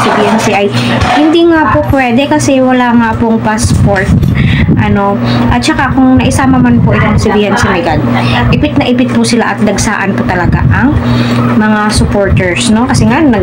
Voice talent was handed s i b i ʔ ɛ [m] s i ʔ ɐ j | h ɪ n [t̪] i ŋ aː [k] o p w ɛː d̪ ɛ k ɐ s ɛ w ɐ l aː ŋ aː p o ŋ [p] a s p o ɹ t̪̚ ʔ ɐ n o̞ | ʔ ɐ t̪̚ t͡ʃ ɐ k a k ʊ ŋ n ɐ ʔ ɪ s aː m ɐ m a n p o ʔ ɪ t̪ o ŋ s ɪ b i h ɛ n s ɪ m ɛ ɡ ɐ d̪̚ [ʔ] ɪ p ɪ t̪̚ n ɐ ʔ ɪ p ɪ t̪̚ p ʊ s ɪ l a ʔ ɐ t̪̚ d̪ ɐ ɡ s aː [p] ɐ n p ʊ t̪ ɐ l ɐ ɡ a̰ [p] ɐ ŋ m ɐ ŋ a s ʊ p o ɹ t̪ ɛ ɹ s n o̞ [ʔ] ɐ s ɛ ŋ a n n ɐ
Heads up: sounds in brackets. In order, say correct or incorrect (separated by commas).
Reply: incorrect, incorrect, incorrect, correct, correct, incorrect, incorrect, incorrect